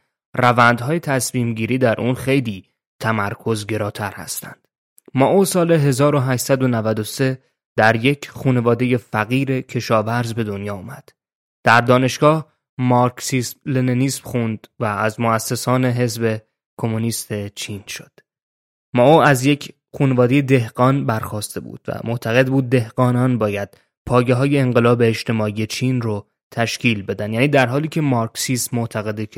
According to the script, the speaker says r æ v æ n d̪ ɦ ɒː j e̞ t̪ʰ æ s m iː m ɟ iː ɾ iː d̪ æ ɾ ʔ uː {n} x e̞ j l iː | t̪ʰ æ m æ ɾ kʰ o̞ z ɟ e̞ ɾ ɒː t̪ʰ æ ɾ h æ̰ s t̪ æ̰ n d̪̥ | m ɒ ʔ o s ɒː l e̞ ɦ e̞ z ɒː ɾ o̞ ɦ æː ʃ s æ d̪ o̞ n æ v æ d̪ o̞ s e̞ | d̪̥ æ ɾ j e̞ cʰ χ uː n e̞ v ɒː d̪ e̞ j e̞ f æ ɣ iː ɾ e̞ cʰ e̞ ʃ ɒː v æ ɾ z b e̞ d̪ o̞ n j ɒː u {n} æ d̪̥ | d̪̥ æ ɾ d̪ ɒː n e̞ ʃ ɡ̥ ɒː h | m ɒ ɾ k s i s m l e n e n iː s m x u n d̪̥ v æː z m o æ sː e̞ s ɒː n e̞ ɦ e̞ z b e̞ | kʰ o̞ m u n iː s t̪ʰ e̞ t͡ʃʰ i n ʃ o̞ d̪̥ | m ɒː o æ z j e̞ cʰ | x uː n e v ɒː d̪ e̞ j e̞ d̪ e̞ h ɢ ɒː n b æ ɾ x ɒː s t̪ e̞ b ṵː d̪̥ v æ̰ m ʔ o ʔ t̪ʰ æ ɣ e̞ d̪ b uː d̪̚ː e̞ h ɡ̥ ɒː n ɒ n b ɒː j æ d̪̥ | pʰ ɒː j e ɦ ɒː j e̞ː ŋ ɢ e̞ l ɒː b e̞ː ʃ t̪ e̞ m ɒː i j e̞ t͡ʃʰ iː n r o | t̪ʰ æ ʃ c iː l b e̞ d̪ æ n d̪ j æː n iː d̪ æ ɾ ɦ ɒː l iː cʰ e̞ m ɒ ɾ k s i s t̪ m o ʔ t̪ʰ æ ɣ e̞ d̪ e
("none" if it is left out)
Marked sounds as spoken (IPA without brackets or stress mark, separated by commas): n, m